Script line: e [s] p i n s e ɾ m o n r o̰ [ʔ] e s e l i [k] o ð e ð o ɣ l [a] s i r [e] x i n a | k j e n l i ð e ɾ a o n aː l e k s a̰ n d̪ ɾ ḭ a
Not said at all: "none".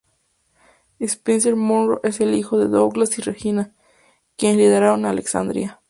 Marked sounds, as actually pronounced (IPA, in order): s, ʔ, x, a, e

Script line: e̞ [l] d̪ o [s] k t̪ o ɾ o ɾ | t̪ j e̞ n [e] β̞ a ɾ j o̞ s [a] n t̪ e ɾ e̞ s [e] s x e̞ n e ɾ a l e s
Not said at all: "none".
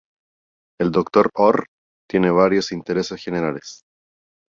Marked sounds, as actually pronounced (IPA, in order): l, none, e, i, e

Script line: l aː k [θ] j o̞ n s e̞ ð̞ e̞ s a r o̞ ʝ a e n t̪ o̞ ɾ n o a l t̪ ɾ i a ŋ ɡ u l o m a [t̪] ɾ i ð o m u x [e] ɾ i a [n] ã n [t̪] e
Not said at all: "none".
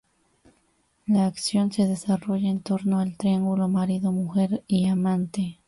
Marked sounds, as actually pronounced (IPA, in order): s, none, e, m, t̪

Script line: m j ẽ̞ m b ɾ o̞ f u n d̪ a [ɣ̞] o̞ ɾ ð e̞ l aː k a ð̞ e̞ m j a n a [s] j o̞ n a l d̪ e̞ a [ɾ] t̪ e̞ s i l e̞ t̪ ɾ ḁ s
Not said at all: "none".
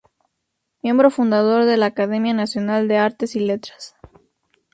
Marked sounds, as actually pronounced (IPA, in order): ð̞, s, ɾ

